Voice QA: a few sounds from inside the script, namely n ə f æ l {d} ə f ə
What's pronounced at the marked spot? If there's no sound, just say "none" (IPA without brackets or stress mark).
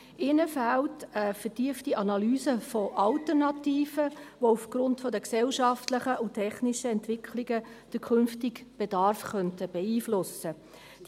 t